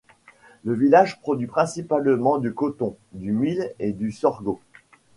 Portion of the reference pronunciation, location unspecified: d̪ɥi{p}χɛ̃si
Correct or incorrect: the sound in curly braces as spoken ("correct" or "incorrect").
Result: correct